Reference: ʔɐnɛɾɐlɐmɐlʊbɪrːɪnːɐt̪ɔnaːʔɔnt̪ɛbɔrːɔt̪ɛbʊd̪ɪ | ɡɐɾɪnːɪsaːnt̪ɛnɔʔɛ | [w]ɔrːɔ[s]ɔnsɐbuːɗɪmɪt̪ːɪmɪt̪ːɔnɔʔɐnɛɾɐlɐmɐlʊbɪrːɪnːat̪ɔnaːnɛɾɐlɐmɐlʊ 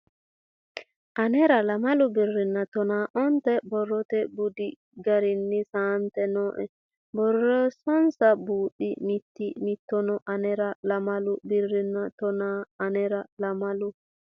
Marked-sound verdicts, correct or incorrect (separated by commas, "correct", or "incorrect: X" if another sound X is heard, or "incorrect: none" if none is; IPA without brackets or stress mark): incorrect: b, correct